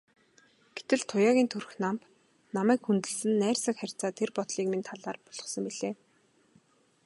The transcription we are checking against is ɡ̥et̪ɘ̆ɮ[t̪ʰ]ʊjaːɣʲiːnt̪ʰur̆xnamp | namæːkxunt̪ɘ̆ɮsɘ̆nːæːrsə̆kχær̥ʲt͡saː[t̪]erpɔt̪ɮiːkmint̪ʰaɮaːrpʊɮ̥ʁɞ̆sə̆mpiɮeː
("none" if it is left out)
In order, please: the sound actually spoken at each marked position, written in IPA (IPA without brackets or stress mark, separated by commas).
t̪ʰ, t̪ʰ